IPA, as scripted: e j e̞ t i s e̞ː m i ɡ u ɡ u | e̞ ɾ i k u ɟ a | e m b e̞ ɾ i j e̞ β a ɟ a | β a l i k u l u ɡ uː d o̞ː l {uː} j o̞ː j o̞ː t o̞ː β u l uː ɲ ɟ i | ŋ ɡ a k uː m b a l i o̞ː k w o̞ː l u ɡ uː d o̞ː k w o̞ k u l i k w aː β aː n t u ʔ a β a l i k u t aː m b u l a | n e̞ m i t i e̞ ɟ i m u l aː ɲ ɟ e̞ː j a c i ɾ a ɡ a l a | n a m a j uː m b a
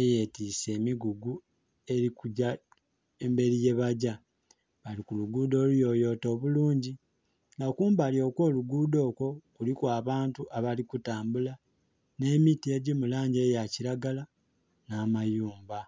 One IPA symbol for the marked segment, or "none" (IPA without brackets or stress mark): u